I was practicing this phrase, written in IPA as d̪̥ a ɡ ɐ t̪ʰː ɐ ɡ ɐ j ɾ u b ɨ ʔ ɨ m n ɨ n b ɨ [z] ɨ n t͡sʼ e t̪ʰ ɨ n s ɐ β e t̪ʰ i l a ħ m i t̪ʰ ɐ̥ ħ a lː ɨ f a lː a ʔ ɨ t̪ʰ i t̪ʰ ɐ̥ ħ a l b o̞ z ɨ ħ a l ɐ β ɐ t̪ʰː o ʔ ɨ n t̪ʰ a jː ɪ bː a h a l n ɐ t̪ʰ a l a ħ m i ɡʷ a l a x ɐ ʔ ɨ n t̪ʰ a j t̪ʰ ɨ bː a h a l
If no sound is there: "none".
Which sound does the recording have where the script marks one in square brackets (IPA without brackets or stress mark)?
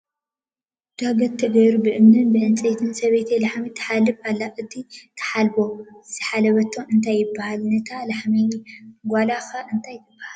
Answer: ʕ